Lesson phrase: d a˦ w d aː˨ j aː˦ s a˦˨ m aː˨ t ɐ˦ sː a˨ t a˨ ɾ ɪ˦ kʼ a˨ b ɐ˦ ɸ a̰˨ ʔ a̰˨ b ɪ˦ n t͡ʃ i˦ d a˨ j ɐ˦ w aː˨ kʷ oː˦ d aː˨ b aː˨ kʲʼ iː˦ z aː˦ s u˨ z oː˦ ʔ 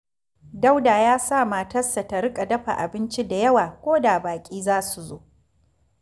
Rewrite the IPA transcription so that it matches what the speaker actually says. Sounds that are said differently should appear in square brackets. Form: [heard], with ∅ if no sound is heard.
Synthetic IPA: d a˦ w d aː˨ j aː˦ s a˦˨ m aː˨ t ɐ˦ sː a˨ t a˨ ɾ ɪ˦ kʼ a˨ [d] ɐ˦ ɸ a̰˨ ʔ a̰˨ b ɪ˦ n t͡ʃ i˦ d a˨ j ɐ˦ w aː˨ kʷ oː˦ d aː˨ b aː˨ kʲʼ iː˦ z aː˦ s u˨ z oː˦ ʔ